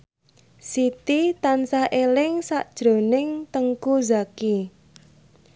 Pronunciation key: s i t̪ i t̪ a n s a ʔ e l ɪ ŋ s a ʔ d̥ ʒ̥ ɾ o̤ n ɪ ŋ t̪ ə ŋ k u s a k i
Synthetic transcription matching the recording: s i t̪ i t̪ a n s a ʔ e l ɪ ŋ s a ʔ d̥ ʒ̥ ɾ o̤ n ɪ ŋ t̪ ə ŋ k u z a k i